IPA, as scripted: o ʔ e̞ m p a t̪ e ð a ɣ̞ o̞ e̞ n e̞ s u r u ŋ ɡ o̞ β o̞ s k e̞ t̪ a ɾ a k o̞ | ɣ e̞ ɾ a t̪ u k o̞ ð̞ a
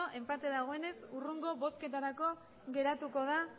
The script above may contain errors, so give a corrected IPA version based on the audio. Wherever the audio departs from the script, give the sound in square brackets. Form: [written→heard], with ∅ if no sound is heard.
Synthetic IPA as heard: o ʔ e̞ m p a t̪ e ð a ɣ̞ o̞ e̞ n e̞ s u r u ŋ ɡ o̞ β o̞ s k e̞ t̪ a ɾ a k o̞ | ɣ e̞ ɾ a t̪ u k o̞ ð̞ a